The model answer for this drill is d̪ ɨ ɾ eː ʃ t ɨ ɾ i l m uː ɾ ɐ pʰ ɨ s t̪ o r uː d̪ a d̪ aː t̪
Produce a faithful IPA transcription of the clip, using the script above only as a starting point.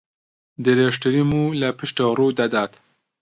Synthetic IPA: d̪ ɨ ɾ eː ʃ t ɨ ɾ i m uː l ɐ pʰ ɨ ʃ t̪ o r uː d̪ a d̪ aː t̪

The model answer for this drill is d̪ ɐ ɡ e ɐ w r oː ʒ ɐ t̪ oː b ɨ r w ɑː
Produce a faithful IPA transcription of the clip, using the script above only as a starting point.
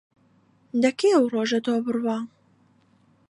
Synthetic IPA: d̪ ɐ k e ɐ w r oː ʒ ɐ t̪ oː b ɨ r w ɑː

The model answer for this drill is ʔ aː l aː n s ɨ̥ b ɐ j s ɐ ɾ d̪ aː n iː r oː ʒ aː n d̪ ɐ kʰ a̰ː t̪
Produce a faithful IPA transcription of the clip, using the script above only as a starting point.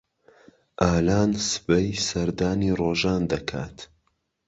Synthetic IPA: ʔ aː l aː n s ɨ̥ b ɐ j s ɐ ɾ d̪ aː n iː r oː ʒ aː n d̪ ɐ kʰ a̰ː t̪

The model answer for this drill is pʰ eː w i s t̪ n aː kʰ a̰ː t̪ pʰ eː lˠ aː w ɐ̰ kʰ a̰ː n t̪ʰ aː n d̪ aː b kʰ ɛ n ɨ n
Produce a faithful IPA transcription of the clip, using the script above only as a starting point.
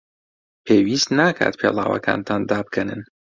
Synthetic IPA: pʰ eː w i s t̪ n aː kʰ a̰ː t̪ pʰ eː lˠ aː w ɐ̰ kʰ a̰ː n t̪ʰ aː n d̪ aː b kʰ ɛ n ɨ n

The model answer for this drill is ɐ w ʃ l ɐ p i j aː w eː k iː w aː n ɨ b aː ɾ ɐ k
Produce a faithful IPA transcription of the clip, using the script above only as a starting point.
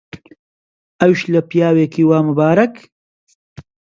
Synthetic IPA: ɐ w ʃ l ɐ p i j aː w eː k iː w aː m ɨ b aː ɾ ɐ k

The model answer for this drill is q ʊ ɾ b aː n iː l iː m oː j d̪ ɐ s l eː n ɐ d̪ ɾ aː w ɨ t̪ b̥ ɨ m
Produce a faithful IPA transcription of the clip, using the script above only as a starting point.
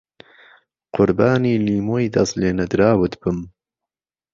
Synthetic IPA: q ʊ ɾ b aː n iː l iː m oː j d̪ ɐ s l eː n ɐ d̪ ɾ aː w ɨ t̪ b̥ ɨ m

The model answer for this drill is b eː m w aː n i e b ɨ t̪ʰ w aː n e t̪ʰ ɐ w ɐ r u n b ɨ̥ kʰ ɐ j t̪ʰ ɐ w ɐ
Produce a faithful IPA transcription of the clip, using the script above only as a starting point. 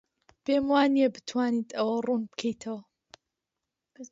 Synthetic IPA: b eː m w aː n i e b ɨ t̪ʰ w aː n i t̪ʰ ɐ w ɐ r u n b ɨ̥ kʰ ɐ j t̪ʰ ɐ w ɐ

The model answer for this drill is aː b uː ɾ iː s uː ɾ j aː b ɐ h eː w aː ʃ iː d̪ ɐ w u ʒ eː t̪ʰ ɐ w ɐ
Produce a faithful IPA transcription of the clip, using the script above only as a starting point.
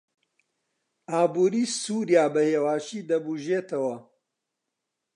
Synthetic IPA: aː b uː ɾ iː s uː ɾ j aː b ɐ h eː w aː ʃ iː d̪ ɐ b u ʒ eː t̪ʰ ɐ w ɐ

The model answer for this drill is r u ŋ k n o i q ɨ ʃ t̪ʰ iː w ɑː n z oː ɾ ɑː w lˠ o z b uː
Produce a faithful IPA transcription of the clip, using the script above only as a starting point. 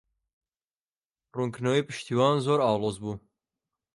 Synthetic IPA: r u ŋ k n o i p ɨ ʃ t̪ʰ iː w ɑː n z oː ɾ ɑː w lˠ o z b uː

